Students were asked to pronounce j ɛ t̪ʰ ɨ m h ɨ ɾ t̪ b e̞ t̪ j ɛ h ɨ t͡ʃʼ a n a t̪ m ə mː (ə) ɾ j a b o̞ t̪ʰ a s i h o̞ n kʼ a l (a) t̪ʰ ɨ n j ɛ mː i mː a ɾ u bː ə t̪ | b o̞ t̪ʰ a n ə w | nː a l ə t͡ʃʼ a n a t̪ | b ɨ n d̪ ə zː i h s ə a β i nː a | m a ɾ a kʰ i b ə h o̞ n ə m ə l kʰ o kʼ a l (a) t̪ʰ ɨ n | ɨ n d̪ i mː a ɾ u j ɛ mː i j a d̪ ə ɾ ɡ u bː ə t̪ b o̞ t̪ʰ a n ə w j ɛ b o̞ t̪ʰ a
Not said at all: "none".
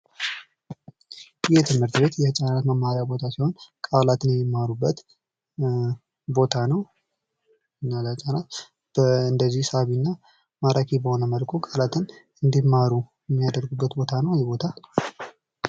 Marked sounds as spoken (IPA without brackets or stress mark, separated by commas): a, a, a